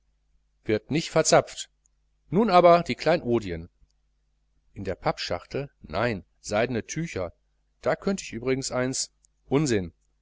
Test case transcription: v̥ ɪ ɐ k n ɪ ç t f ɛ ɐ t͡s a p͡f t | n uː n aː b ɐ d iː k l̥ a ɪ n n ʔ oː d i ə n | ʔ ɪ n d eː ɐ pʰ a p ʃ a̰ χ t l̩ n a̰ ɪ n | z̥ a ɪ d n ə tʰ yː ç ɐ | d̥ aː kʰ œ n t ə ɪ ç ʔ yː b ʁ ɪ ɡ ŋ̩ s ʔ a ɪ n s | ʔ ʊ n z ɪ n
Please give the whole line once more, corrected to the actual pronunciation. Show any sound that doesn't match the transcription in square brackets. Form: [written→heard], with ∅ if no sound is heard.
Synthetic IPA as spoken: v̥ ɪ ɐ [k→t] n ɪ ç t f ɛ ɐ t͡s a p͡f t | n uː n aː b ɐ d iː k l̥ a ɪ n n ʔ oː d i ə n | ʔ ɪ n d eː ɐ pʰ a p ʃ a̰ χ t l̩ n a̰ ɪ n | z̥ a ɪ d n ə tʰ yː ç ɐ | d̥ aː kʰ œ n t ə ɪ ç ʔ yː b ʁ ɪ ɡ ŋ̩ s ʔ a ɪ n s | ʔ ʊ n z ɪ n

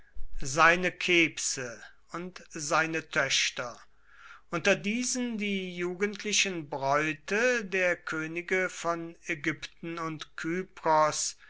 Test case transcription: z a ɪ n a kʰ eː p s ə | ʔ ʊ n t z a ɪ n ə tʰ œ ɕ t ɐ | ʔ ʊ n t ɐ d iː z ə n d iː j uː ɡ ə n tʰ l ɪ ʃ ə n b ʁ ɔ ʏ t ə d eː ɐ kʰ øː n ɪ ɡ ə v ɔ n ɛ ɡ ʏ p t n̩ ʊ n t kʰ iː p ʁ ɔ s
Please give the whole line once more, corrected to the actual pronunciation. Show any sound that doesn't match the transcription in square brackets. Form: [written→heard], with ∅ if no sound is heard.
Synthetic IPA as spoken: z a ɪ n [a→ə] kʰ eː p s ə | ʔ ʊ n t z a ɪ n ə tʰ œ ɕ t ɐ | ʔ ʊ n t ɐ d iː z ə n d iː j uː ɡ ə n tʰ l ɪ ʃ ə n b ʁ ɔ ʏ t ə d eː ɐ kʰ øː n ɪ ɡ ə [v→f] ɔ n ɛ ɡ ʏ p t n̩ ʊ n t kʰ [iː→yː] p ʁ ɔ s

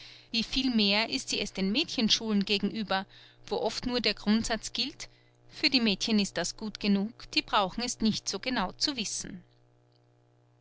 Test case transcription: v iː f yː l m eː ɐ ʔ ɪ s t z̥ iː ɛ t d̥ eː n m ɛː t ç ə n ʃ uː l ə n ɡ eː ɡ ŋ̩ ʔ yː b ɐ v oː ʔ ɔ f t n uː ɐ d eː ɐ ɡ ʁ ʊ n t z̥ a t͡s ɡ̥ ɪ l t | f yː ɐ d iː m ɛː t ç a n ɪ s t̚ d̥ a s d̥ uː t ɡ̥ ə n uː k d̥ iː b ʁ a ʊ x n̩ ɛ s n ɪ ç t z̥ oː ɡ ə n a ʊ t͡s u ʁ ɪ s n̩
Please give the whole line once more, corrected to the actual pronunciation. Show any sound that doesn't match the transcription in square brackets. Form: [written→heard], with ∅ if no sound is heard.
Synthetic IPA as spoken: v iː f [yː→iː] l m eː ɐ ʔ ɪ s t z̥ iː ɛ [t→s] d̥ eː n m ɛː t ç ə n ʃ uː l ə n ɡ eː ɡ ŋ̩ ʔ yː b ɐ v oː ʔ ɔ f t n uː ɐ d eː ɐ ɡ ʁ ʊ n t z̥ a t͡s ɡ̥ ɪ l t | f yː ɐ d iː m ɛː t ç [a→ə] n ɪ s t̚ d̥ a s [d̥→ɡ̥] uː t ɡ̥ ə n uː k d̥ iː b ʁ a ʊ x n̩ ɛ s n ɪ ç t z̥ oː ɡ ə n a ʊ t͡s u [ʁ→v] ɪ s n̩

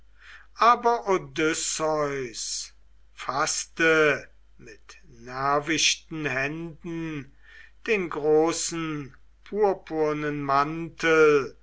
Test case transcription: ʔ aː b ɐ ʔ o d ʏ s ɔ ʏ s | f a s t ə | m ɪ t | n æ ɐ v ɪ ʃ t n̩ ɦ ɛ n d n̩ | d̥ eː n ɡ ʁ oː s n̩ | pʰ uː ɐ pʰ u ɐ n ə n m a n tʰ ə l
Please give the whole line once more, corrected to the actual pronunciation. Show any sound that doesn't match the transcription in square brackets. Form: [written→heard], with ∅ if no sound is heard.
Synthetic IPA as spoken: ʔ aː b ɐ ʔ o d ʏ s ɔ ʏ s | f a s t ə | m ɪ t | n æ ɐ v ɪ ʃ t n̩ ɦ ɛ n d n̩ | d̥ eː n ɡ ʁ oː s n̩ | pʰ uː ɐ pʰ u ɐ n ə n m a n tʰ ə l

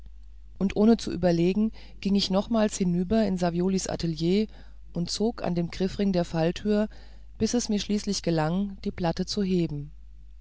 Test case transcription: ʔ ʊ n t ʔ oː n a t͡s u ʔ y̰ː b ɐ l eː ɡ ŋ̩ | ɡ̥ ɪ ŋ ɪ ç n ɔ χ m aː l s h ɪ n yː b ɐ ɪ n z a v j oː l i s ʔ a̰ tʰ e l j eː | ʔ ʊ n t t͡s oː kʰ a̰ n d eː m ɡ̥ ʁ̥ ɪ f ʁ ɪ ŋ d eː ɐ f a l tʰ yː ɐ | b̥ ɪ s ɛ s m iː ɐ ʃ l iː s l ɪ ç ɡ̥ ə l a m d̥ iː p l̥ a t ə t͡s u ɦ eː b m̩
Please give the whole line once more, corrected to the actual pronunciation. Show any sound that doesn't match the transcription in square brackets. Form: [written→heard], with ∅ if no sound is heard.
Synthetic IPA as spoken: ʔ ʊ n t ʔ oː n [a→ə] t͡s u ʔ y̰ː b ɐ l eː ɡ ŋ̩ | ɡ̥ ɪ ŋ ɪ ç n ɔ χ m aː l s h ɪ n yː b ɐ ɪ n z a v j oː l i s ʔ a̰ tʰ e l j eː | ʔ ʊ n t t͡s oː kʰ a̰ n d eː m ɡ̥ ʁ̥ ɪ f ʁ ɪ ŋ d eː ɐ f a l tʰ yː ɐ | b̥ ɪ s ɛ s m iː ɐ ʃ l iː s l ɪ ç ɡ̥ ə l a [m→ŋ] d̥ iː p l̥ a t ə t͡s u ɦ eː b m̩

